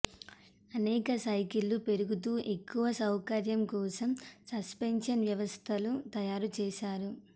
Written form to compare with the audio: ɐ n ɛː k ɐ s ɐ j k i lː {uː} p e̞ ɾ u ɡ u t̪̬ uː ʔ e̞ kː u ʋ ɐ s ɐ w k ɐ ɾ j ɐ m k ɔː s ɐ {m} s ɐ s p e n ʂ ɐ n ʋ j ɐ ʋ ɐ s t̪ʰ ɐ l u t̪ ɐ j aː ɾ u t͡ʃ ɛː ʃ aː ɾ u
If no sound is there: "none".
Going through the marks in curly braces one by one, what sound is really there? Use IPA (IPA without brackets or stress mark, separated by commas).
u, m